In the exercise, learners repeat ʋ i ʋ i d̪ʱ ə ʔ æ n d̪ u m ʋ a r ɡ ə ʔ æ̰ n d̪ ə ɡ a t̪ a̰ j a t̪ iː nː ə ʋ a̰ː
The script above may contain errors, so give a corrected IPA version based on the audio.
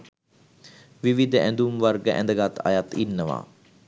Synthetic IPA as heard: ʋ i ʋ i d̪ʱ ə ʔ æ n d̪ u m ʋ a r ɡ ə ʔ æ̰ n d̪ ə ɡ a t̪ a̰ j a t̪ i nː ə ʋ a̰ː